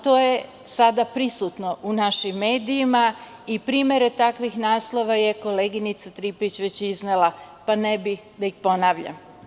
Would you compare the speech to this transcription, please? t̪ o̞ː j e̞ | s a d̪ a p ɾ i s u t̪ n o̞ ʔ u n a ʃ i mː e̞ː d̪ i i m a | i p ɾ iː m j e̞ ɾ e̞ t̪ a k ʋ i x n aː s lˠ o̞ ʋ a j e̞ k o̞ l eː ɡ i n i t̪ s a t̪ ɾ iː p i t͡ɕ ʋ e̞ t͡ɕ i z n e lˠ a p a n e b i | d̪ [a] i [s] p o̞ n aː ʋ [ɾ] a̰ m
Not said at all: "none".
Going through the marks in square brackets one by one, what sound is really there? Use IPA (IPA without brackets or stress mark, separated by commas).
a, x, ʎ